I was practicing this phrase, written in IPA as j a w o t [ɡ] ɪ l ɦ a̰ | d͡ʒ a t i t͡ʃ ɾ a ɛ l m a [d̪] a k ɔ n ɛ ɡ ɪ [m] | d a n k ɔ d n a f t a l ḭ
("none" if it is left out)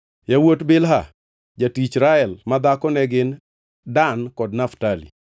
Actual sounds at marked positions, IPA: b, d̪, n

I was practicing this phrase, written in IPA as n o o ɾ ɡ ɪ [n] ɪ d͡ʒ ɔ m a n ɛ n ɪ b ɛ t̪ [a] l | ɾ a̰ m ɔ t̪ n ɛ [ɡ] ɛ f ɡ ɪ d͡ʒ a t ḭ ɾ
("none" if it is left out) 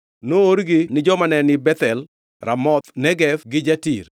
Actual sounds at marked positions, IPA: n, ɛ, ɡ

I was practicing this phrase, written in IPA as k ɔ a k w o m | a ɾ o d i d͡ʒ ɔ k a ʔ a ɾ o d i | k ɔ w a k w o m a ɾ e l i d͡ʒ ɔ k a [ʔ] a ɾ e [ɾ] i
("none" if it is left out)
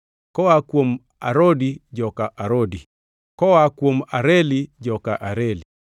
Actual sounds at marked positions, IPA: ʔ, l

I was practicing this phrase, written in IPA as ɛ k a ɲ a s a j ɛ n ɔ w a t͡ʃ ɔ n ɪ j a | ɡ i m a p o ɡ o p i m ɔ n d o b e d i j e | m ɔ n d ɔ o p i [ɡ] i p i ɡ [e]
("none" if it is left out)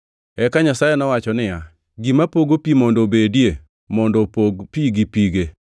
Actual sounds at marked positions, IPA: ɡ, e

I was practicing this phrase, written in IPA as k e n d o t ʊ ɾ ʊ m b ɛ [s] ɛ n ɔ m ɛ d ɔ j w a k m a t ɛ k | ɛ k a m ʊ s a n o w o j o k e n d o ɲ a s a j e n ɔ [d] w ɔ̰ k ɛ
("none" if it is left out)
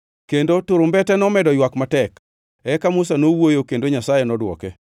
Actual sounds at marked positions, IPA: t, d

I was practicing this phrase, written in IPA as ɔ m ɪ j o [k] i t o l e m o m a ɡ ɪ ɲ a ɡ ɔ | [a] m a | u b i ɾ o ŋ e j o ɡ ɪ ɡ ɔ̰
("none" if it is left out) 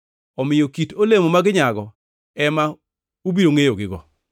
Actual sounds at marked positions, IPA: k, ɛ

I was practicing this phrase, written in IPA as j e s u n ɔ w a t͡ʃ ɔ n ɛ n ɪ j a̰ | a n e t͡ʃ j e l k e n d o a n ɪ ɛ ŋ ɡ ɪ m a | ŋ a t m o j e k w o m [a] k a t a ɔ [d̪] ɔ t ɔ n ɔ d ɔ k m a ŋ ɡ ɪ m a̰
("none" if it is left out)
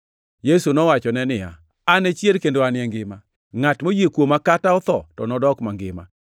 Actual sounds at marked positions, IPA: a, t̪

